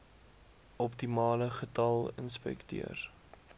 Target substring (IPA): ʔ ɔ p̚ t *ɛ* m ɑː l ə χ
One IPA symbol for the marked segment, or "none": i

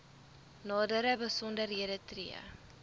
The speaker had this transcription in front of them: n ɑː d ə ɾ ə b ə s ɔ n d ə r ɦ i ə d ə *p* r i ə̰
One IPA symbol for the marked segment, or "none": t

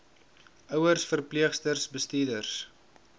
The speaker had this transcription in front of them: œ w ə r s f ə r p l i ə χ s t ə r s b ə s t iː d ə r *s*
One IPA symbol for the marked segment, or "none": s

